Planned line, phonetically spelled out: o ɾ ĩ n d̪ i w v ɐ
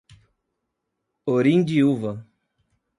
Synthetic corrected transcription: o ɾ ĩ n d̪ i u v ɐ